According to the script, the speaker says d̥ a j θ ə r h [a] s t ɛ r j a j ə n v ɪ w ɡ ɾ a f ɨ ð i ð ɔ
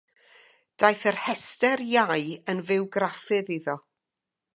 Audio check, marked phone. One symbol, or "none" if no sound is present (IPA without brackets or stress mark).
ɛ